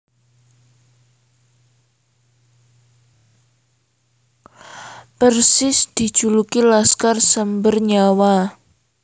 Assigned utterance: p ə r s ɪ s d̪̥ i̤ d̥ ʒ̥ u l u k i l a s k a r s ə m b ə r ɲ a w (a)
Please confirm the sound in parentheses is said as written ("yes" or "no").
yes